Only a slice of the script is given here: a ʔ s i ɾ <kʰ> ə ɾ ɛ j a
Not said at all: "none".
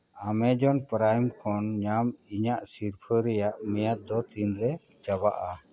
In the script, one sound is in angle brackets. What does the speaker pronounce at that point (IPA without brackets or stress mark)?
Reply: pʰ